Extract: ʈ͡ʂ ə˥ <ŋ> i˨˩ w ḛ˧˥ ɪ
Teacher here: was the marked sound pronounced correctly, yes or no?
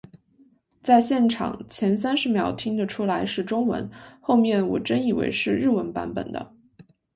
no